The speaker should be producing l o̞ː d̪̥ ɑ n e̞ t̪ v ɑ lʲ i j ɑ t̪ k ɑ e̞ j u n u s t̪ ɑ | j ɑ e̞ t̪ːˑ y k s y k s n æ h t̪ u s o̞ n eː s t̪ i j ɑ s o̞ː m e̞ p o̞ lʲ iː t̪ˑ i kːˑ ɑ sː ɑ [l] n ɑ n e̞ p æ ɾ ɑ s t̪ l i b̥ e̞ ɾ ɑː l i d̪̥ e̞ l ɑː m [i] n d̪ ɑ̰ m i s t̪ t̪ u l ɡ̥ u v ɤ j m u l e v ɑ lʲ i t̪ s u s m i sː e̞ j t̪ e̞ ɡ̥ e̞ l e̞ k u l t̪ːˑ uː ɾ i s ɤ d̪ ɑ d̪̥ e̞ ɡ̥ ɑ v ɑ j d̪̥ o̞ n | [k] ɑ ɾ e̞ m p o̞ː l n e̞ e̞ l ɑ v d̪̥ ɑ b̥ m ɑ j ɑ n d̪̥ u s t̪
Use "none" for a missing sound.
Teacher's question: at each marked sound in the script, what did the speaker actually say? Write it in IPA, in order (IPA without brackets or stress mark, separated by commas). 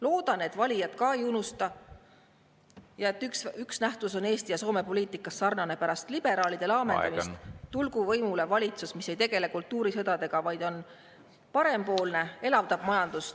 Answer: r, e, p